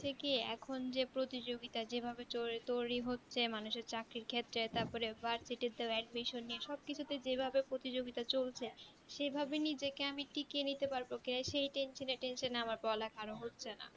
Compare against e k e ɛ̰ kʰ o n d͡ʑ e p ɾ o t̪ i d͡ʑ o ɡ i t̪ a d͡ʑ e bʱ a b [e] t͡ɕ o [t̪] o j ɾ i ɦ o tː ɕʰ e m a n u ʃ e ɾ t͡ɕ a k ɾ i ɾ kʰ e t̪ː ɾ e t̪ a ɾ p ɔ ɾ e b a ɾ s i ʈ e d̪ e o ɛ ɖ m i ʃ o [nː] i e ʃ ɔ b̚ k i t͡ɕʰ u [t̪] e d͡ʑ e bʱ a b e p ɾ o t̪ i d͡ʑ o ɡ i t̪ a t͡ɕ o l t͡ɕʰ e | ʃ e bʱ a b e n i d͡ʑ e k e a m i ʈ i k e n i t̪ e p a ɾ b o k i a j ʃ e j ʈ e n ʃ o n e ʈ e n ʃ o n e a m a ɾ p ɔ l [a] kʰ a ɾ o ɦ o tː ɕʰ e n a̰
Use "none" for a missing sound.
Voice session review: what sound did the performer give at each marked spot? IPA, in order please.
e, t̪, nː, t̪, a

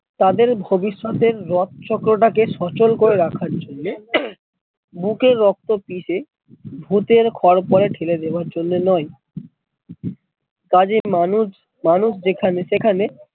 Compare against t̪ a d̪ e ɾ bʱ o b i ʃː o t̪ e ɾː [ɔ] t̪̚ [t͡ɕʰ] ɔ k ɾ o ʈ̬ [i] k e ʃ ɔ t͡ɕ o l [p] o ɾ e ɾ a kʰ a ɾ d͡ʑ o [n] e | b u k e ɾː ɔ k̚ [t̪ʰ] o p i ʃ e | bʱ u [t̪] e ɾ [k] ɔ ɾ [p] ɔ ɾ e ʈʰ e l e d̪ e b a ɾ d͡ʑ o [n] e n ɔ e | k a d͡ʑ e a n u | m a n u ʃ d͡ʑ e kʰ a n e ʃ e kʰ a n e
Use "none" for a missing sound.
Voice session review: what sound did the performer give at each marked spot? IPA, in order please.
ɔ, t͡ɕ, a, k, nː, t̪, t̪, kʰ, p, nː

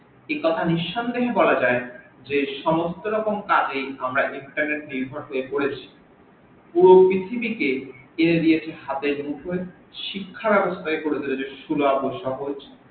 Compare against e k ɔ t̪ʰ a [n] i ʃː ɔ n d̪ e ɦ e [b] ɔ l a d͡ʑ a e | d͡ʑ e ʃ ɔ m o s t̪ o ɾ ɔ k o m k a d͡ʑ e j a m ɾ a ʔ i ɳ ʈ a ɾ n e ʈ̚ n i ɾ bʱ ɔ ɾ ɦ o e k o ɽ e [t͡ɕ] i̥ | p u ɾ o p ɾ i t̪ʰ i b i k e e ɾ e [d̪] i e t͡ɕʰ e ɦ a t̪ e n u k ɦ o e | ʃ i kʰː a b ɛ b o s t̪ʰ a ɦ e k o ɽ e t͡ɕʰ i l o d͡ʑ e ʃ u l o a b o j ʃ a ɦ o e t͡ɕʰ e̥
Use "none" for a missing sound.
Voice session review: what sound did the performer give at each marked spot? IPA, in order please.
n, b, t͡ɕʰ, d̪

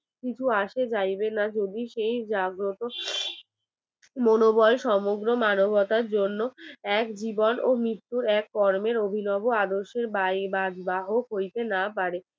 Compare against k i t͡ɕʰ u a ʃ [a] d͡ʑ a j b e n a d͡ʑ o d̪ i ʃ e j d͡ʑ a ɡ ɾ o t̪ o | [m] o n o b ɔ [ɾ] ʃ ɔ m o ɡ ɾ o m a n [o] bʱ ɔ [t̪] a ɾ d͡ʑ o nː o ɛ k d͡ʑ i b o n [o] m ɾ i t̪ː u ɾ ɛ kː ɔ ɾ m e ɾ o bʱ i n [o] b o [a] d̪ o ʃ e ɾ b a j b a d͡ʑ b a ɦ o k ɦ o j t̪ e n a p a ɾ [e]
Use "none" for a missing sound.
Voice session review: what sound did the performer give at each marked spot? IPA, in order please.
e, m, l, o, t̪, o, ɔ, a, e

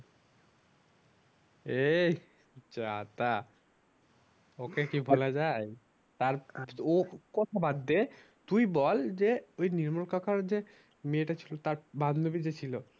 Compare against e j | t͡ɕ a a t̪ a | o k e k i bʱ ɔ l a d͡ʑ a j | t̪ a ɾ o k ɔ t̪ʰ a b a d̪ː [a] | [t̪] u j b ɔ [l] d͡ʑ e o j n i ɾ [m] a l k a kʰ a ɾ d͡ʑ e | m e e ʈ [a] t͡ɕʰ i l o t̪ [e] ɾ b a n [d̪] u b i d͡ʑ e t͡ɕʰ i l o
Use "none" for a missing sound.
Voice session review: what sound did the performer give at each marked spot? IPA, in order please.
e, t̪, l, m, a, a, d̪

